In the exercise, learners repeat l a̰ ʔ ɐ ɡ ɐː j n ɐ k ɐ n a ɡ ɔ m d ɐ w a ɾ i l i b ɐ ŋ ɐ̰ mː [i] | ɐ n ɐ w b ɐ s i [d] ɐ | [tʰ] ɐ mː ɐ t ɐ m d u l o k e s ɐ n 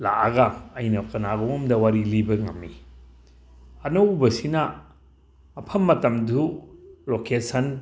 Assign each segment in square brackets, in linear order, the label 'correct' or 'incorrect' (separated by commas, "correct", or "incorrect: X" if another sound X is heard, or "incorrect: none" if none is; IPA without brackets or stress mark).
correct, incorrect: n, incorrect: pʰ